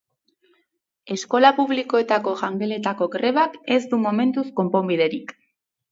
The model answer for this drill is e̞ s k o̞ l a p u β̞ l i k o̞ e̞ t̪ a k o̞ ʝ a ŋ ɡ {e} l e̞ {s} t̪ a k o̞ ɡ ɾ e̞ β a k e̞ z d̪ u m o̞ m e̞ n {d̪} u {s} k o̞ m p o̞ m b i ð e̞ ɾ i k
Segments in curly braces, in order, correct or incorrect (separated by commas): correct, incorrect, incorrect, correct